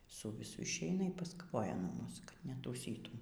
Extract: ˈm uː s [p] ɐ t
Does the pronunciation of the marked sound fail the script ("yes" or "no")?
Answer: yes